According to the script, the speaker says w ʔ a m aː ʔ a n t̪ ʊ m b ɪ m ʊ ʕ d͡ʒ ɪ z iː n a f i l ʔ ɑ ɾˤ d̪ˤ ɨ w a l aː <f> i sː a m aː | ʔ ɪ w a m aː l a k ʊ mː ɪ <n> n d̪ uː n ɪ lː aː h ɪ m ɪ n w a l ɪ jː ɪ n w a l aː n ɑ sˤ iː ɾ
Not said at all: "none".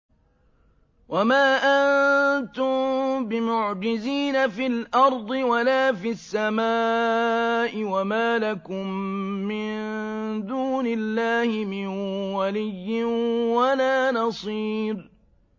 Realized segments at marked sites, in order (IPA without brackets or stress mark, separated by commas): f, n